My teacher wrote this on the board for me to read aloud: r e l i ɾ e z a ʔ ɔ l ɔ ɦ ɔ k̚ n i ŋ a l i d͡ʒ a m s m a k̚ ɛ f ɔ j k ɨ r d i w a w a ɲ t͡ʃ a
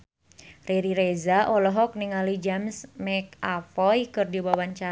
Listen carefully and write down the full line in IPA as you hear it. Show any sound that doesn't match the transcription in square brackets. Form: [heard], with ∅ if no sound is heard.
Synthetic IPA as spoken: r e [ɾ] i ɾ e z a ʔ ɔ l ɔ ɦ ɔ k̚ n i ŋ a l i d͡ʒ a m s m [ɛ] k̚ [a] f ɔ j k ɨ r d i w a w a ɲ t͡ʃ a